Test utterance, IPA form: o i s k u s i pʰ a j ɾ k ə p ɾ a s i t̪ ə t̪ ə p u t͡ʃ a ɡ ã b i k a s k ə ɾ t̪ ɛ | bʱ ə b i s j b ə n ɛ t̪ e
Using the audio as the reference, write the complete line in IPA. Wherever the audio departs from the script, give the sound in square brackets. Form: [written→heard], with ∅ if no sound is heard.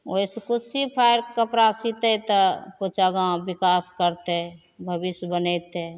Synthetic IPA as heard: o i s k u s i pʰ a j ɾ k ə p ɾ a s i t̪ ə t̪ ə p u t͡ʃ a ɡ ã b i k a s k ə ɾ t̪ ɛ | bʱ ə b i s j b ə n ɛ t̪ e